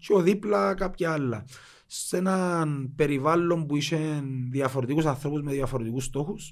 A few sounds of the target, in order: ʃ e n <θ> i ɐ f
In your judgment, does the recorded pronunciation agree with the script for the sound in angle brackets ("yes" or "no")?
no